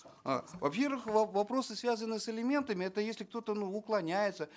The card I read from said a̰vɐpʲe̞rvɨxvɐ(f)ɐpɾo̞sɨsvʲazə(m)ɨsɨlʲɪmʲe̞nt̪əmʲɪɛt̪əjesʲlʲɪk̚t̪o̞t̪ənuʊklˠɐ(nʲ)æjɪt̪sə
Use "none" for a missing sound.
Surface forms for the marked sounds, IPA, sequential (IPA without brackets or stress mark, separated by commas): v, n, nʲ